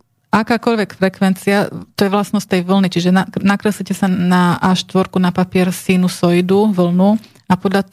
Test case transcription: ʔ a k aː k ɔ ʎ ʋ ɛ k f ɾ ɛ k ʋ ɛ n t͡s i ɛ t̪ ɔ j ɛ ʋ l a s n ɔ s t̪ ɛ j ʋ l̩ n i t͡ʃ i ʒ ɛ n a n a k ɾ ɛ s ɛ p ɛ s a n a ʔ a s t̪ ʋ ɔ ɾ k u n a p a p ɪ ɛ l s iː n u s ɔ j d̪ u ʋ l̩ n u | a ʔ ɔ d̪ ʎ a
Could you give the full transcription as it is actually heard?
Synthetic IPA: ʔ a k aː k ɔ ʎ ʋ ɛ k f ɾ ɛ k ʋ ɛ n t͡s i a t̪ ɔ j ɛ ʋ l a s n ɔ s t̪ ɛ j ʋ l̩ n i t͡ʃ i ʒ ɛ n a n a k ɾ ɛ s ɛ c ɛ s a n a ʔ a ʃ t̪ ʋ ɔ ɾ k u n a p a p ɪ ɛ ɾ s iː n u s ɔ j d̪ u ʋ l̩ n u | a p ɔ d̪ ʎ a